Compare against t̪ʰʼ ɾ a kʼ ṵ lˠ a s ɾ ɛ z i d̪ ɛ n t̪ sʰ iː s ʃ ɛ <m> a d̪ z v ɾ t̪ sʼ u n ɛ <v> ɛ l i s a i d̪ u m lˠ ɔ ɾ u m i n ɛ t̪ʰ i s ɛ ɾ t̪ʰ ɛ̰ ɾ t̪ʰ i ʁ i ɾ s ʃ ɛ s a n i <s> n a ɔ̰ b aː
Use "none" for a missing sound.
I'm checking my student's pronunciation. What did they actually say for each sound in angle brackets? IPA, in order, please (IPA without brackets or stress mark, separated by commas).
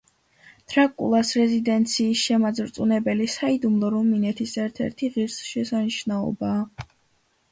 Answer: m, b, ʃ